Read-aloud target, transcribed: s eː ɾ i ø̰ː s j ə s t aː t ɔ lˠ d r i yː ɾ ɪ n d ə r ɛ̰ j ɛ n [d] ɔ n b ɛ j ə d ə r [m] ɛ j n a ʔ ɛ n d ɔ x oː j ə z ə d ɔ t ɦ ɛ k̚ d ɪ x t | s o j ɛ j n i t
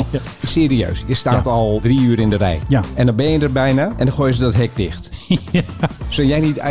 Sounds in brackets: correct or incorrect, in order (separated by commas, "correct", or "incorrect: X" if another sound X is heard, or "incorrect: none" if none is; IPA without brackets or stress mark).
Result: correct, incorrect: b